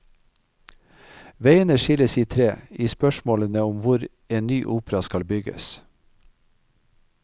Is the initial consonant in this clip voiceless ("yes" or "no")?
no